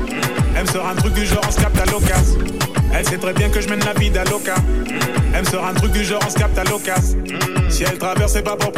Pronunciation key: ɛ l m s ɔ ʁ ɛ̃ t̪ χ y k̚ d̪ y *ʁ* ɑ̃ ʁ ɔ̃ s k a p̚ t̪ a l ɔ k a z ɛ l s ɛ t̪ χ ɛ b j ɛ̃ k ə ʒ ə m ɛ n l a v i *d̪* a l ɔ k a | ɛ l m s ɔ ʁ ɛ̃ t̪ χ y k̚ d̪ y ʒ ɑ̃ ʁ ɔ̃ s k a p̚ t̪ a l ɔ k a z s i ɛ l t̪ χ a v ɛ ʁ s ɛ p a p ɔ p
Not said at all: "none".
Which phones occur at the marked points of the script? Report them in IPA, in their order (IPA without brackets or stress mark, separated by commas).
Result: ʒ, d̪